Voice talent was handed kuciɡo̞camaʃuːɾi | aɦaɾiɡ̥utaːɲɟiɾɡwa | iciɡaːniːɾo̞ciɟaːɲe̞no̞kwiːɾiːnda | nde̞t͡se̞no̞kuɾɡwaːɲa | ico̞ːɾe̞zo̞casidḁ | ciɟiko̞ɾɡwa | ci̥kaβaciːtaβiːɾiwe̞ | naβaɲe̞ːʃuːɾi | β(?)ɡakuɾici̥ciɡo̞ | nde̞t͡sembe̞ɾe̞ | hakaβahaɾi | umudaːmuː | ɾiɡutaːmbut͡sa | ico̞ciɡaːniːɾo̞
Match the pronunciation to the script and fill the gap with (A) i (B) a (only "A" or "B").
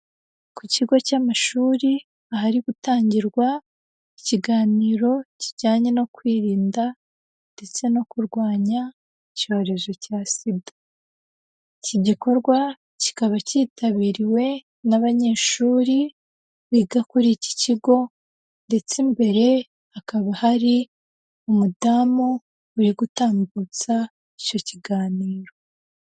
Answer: A